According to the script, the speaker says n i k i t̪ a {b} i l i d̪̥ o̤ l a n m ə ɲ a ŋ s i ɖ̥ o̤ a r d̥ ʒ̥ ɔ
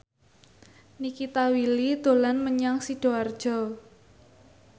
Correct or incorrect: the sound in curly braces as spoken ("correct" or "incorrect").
incorrect